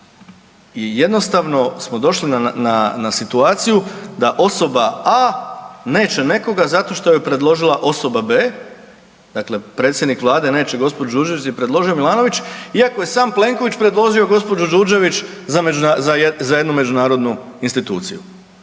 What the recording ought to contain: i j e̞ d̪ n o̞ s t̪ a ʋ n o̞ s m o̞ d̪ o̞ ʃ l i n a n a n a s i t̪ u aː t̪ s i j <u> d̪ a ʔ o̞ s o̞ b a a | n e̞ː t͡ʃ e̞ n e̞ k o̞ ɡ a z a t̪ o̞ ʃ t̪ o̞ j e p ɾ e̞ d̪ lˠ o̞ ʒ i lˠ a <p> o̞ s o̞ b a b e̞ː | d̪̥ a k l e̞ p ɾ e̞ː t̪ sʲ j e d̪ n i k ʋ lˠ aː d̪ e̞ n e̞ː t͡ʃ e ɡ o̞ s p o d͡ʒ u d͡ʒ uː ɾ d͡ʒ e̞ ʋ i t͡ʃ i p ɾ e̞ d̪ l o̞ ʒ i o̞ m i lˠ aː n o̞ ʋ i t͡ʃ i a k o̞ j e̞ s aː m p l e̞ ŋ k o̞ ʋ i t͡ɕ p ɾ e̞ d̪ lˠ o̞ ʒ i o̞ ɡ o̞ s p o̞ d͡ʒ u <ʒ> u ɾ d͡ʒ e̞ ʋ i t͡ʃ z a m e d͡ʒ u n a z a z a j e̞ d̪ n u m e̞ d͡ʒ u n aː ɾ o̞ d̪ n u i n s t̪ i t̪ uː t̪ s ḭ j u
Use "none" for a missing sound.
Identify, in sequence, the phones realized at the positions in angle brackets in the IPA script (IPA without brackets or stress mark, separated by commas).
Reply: u, ʔ, d͡ʒ